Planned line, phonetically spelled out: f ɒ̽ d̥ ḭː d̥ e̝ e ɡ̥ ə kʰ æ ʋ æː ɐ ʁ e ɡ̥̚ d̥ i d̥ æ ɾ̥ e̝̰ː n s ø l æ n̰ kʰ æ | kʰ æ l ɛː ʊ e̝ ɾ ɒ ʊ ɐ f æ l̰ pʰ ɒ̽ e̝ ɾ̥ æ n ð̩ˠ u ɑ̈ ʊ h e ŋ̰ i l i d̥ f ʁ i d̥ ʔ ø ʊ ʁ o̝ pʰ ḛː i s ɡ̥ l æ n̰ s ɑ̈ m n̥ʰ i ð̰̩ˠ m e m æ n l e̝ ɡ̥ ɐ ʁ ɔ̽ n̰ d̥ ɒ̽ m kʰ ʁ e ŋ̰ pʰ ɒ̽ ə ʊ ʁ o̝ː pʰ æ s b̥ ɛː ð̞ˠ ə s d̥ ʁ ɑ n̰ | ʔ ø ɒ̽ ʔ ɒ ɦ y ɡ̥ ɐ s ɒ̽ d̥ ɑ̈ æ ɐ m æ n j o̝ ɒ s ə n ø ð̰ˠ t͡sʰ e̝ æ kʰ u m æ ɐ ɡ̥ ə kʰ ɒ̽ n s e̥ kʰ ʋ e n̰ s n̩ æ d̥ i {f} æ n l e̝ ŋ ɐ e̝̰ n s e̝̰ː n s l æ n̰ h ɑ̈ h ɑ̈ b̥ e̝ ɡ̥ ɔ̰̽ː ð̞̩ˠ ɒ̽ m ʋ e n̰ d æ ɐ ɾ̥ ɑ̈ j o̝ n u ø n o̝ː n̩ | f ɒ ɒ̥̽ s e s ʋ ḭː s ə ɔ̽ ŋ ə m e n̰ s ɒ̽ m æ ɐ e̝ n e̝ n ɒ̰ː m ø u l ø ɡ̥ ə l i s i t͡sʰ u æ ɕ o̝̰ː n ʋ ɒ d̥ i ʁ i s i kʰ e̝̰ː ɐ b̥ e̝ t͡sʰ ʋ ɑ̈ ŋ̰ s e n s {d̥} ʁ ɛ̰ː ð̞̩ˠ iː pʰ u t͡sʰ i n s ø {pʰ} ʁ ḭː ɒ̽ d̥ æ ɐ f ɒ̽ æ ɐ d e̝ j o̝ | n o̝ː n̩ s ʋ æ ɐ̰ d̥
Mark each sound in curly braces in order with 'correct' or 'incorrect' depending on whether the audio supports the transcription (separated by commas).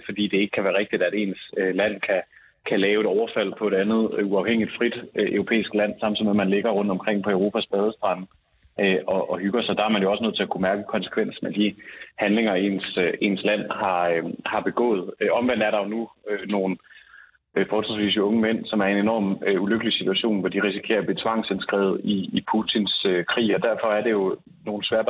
incorrect, incorrect, incorrect